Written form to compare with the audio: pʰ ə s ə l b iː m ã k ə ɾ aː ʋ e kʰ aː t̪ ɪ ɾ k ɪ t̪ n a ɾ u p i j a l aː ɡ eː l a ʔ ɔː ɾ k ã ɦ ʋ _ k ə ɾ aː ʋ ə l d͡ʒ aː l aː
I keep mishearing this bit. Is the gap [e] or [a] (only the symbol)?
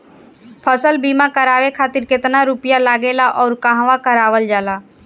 a